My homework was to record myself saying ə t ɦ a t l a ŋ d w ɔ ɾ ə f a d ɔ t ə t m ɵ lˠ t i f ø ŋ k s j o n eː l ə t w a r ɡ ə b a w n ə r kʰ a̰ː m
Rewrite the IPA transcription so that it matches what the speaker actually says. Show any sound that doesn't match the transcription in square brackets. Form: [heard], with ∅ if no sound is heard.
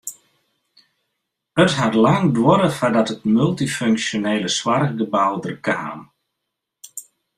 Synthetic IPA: ə t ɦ a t l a ŋ d w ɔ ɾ ə f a d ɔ t ə t m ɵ lˠ t i f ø ŋ k s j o n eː l ə [s] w a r ɡ ə b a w [d] ə r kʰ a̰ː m